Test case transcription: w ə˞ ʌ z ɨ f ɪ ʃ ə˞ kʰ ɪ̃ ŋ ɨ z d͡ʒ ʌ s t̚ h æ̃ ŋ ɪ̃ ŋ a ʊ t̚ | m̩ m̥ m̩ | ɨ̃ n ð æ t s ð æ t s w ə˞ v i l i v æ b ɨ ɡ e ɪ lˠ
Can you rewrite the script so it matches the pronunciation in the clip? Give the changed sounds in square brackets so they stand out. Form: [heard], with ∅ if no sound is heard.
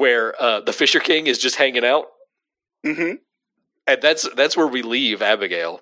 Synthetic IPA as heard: w ə˞ ʌ [ð] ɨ f ɪ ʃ ə˞ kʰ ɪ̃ ŋ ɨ z d͡ʒ ʌ s t̚ h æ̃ ŋ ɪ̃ ŋ a ʊ t̚ | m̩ m̥ m̩ | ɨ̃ n ð æ t s ð æ t s w ə˞ [w] i l i v æ b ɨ ɡ e ɪ lˠ